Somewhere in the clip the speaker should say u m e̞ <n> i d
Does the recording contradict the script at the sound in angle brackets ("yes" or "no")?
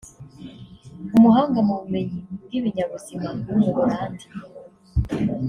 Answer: yes